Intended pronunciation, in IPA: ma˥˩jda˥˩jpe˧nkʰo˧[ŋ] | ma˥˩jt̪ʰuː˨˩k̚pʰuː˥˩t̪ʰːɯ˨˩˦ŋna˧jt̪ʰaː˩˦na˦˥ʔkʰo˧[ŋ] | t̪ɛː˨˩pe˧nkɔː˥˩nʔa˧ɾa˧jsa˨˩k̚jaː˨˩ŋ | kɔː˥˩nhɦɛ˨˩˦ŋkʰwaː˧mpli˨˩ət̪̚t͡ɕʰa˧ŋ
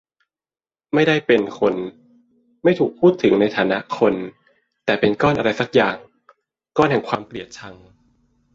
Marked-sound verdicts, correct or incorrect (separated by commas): incorrect, incorrect